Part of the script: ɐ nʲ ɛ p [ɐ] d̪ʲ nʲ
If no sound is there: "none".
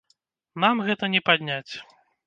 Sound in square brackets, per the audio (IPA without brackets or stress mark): a